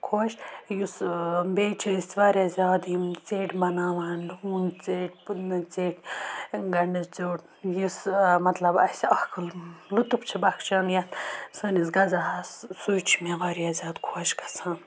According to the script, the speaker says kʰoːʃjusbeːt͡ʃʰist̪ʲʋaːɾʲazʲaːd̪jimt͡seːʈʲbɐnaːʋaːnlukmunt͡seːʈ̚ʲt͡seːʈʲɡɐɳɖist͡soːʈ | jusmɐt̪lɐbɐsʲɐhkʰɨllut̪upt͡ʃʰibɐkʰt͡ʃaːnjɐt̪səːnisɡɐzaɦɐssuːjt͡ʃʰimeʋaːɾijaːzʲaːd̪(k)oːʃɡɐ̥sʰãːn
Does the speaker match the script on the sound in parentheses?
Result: no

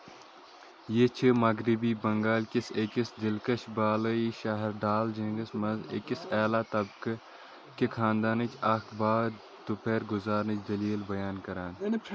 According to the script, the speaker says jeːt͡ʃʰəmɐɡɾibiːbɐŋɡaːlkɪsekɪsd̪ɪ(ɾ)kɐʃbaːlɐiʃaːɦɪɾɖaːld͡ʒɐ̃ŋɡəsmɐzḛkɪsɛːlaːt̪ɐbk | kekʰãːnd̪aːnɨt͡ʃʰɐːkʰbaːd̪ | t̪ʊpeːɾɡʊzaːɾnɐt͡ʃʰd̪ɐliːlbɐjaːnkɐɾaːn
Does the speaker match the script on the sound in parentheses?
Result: no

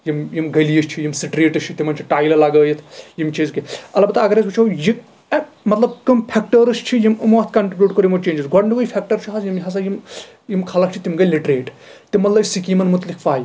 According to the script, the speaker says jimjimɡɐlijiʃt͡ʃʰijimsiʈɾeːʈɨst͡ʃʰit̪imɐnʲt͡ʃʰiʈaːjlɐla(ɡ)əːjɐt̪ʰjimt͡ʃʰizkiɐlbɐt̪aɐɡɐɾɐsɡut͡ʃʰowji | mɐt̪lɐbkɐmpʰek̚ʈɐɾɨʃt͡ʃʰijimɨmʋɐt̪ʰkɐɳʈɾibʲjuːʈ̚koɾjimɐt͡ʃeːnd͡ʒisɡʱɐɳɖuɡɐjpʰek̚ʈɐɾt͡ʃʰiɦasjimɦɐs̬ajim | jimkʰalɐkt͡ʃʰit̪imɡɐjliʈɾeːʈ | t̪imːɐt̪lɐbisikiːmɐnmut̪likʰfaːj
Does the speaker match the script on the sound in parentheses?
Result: yes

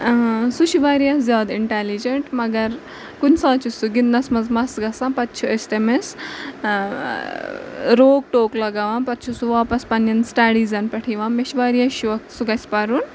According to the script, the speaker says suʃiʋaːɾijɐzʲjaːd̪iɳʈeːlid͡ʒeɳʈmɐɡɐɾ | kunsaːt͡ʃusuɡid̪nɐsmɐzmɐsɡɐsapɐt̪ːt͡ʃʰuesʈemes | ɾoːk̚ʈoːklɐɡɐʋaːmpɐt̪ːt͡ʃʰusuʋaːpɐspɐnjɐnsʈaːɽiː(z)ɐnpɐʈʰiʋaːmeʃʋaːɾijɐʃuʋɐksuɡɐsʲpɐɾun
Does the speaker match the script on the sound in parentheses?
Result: yes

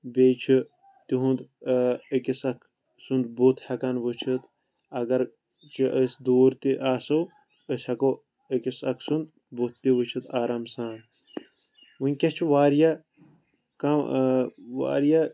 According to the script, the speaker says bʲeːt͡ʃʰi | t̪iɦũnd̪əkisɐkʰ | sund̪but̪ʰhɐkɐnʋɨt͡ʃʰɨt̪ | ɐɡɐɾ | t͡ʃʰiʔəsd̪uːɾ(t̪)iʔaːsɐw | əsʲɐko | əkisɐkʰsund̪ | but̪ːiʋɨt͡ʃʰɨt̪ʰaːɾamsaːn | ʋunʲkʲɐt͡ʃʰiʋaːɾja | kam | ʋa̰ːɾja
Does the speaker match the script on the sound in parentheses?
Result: yes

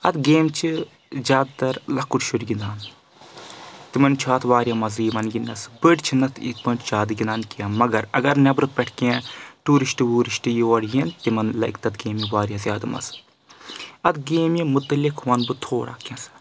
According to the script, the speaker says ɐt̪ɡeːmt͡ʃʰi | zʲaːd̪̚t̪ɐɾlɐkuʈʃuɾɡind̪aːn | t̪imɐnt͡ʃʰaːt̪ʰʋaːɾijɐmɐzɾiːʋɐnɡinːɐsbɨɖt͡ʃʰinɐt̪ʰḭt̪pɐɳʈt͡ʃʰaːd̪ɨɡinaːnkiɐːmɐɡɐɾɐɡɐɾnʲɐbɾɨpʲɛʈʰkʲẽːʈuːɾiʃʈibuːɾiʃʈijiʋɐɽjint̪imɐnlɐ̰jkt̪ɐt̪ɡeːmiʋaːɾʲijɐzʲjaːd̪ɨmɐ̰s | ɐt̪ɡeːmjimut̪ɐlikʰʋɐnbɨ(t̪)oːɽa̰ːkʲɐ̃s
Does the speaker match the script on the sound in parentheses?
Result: no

